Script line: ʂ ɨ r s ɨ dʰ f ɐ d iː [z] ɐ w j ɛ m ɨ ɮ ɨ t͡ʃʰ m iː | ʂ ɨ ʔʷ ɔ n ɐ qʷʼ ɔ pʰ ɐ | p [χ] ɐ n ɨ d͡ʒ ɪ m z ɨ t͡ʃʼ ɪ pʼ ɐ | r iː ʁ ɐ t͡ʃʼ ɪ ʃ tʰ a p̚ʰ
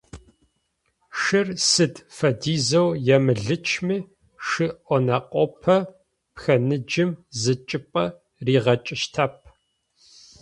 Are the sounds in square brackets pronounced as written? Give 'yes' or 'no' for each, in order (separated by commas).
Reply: yes, no